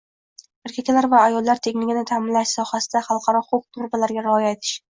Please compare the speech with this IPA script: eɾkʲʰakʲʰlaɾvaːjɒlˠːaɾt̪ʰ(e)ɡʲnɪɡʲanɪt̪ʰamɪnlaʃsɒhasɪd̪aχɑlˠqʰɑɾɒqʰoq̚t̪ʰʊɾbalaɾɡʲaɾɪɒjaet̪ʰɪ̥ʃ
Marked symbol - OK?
yes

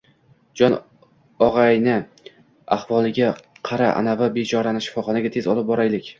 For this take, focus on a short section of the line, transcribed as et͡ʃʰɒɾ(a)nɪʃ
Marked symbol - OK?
yes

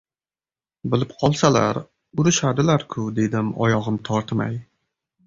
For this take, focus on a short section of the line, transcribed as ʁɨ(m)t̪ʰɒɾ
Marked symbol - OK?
yes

